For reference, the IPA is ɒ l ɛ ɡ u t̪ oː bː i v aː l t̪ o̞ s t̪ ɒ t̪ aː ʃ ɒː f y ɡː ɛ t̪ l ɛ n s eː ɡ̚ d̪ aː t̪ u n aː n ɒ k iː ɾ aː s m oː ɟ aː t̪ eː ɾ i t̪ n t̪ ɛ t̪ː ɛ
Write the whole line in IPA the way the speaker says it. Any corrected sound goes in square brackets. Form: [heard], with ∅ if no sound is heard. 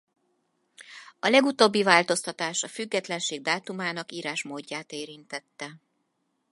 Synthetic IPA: ɒ l ɛ ɡ u t̪ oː bː i v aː l t̪ o̞ s t̪ ɒ t̪ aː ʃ [ɒ] f y ɡː ɛ t̪ l ɛ n [ʃ] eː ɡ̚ d̪ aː t̪ u [m] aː n ɒ k iː ɾ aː [ʃ] m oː [ɟː] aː t̪ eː ɾ i [∅] n t̪ ɛ t̪ː ɛ